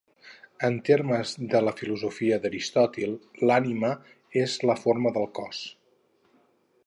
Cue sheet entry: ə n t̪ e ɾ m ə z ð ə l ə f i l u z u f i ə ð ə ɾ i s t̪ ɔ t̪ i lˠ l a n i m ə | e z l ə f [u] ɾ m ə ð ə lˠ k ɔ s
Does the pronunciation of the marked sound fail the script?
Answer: yes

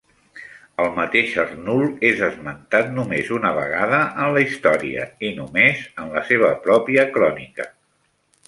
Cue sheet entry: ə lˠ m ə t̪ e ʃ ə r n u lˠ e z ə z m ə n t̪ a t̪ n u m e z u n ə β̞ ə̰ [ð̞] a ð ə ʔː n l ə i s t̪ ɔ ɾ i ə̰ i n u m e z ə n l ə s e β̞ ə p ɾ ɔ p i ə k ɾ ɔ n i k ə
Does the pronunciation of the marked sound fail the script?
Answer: yes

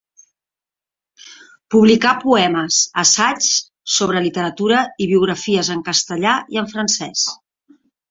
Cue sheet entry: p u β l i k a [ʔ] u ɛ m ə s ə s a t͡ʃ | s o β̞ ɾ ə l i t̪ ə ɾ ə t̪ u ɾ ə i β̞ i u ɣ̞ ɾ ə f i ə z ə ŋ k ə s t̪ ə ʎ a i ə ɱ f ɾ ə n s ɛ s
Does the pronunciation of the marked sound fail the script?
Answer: yes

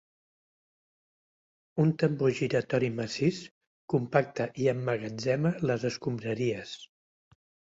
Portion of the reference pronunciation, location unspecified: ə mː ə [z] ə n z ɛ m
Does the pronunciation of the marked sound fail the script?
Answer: yes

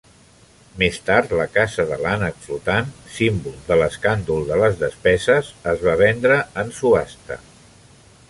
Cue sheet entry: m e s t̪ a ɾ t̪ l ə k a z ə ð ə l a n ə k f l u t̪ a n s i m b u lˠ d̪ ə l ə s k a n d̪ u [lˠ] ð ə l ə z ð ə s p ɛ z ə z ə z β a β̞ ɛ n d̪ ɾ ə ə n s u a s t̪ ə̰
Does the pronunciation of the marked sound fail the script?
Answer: no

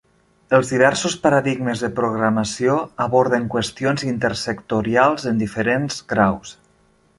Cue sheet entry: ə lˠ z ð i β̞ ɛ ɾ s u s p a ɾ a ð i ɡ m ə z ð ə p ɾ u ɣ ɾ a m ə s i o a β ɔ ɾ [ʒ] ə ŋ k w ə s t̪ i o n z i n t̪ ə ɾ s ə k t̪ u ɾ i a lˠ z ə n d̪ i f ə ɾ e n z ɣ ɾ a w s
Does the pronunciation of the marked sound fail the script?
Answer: yes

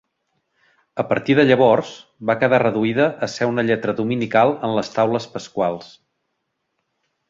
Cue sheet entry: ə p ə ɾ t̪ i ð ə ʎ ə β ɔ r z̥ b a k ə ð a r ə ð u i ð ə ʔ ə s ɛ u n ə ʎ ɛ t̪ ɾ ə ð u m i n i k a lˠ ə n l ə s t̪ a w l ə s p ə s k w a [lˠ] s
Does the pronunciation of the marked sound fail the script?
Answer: no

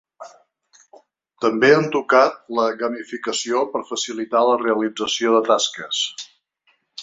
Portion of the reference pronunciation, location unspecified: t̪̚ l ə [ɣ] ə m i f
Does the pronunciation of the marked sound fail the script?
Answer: no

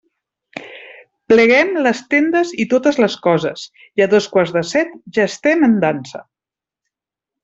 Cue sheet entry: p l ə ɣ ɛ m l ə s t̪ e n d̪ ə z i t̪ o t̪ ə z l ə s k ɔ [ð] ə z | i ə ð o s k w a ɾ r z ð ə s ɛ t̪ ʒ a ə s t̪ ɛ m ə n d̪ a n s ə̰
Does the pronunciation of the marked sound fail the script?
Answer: yes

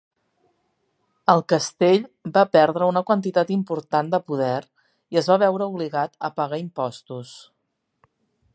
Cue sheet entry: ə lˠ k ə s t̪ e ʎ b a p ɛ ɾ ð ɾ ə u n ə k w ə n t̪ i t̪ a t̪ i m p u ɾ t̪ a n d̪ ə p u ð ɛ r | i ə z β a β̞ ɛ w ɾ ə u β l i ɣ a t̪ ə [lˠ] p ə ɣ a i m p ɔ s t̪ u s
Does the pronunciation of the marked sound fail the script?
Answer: yes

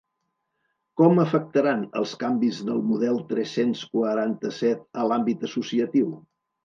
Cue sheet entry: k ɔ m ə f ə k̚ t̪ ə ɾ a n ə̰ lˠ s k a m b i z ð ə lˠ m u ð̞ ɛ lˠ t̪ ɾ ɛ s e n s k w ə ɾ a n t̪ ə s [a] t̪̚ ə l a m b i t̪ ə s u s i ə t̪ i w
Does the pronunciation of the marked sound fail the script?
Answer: yes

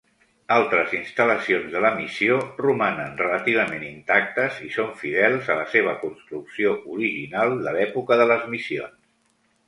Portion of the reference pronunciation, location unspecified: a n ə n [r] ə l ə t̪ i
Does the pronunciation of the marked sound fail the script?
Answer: no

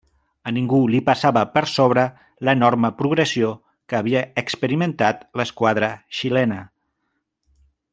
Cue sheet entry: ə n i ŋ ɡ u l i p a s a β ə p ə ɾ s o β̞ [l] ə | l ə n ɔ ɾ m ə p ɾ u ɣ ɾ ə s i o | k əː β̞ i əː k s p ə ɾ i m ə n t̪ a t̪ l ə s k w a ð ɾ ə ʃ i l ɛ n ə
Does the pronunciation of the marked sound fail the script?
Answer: yes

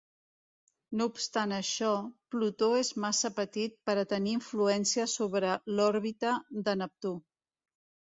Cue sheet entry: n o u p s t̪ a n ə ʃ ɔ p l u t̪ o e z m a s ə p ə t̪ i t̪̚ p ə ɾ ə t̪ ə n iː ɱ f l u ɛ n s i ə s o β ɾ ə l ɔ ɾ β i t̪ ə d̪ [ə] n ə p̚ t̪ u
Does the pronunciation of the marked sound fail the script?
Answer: no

